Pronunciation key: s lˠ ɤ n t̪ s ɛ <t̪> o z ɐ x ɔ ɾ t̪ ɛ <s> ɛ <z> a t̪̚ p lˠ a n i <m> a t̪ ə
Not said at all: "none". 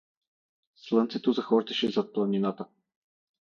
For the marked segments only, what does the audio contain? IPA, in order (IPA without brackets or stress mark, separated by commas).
t̪, ʃ, z, n